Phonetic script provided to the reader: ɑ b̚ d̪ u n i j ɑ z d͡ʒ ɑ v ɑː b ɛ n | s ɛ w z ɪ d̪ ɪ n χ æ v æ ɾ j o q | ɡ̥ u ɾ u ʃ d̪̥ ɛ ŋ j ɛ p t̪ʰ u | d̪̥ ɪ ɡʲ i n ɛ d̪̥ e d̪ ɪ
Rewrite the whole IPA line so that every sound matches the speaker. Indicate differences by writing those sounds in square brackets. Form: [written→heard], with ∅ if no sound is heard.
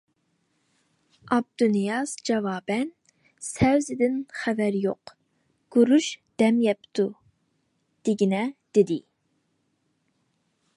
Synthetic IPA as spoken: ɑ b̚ d̪ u n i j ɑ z d͡ʒ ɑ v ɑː b ɛ n | s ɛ w z ɪ d̪ ɪ n χ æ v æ ɾ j o q | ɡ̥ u ɾ u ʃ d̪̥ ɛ [ŋ→m] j ɛ p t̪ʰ u | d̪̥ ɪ ɡʲ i n ɛ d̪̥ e d̪ ɪ